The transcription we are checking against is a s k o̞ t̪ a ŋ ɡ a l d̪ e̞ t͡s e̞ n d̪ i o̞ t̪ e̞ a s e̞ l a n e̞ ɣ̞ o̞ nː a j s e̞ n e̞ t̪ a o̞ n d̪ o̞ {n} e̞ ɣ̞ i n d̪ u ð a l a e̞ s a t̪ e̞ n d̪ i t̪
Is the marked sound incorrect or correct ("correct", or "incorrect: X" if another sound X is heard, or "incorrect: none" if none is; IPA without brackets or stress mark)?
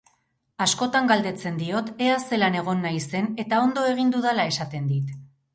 incorrect: none